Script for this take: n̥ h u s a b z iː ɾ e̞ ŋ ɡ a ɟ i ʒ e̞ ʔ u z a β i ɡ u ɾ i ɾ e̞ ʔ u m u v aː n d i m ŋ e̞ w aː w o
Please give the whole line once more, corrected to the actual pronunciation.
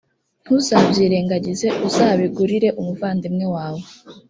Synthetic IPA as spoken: n̥ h u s a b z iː ɾ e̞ ŋ ɡ a ɟ i z e̞ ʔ u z a β i ɡ u ɾ i ɾ e̞ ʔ u m u v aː n d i m ŋ e̞ w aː w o